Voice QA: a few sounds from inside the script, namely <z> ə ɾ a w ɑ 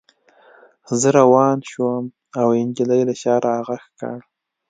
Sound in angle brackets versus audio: correct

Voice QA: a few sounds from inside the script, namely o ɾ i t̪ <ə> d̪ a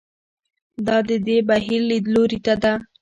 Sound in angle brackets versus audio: incorrect: a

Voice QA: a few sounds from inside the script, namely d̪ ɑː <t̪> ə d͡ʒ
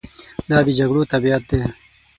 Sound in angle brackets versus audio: incorrect: d̪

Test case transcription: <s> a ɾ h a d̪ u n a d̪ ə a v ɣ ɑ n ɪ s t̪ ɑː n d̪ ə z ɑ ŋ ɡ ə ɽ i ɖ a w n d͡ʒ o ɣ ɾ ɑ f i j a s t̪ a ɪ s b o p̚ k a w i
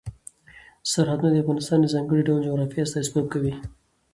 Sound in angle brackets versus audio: correct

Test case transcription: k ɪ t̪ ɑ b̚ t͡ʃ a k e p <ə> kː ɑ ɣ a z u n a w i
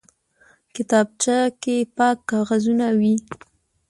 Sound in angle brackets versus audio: incorrect: ɑ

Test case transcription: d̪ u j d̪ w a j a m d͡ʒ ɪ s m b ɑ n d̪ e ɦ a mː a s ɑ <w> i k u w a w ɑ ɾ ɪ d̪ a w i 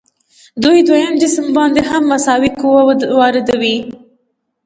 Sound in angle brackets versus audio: correct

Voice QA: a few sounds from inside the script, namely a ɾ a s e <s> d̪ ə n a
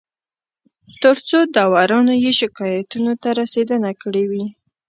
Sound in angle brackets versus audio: incorrect: none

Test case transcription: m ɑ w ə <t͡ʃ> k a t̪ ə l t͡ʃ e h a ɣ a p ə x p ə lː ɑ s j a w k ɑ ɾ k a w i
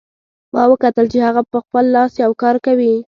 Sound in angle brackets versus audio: incorrect: none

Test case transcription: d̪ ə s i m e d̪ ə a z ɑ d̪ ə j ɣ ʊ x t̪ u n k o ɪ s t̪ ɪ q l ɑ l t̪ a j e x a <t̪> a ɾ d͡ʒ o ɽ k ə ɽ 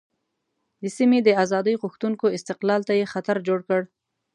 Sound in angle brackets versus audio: correct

